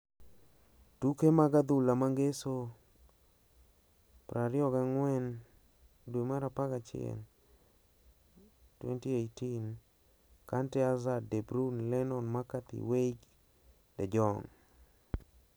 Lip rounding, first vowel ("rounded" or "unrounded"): rounded